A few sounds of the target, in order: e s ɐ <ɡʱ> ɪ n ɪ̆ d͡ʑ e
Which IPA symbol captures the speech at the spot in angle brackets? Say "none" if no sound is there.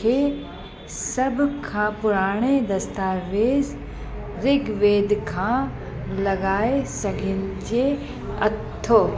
ɡʱ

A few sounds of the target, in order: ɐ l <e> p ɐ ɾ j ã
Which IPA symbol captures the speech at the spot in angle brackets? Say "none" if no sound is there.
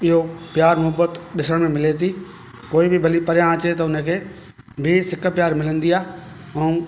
i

